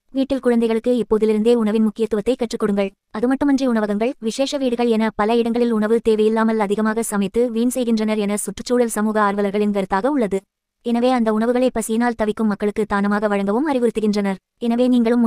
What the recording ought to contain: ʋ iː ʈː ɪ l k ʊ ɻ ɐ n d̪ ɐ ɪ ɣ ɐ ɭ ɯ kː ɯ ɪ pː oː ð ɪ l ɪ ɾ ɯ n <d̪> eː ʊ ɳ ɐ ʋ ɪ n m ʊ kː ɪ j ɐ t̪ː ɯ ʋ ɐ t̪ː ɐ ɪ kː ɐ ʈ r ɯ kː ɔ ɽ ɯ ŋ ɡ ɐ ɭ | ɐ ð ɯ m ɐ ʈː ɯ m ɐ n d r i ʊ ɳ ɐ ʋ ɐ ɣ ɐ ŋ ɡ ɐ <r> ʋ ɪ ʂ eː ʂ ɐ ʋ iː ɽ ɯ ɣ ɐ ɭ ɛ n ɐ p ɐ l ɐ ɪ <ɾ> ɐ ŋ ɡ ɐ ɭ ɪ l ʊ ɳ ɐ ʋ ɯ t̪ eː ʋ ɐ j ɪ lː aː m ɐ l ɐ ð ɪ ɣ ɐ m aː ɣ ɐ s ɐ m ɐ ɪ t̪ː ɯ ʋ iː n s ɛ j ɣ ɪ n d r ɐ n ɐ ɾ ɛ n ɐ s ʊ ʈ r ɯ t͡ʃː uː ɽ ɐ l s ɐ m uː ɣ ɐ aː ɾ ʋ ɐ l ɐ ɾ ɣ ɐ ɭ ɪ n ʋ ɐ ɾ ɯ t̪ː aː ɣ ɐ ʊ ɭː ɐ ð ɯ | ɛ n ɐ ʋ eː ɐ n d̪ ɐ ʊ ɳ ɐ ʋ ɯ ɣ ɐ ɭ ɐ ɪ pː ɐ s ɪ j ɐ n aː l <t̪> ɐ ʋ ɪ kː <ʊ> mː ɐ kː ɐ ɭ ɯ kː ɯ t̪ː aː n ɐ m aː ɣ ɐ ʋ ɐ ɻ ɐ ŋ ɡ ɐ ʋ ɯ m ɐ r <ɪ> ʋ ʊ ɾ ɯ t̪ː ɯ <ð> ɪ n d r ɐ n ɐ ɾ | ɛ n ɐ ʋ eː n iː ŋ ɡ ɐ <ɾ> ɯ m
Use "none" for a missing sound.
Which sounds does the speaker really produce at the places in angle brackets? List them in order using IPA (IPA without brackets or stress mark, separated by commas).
d̪, ɭ, ɽ, t̪, ɯ, ɪ, ɣ, ɭ